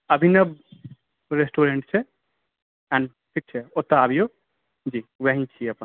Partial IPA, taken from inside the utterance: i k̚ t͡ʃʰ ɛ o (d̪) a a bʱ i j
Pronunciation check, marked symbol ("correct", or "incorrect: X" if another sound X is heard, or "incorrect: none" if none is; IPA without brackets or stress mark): incorrect: t̪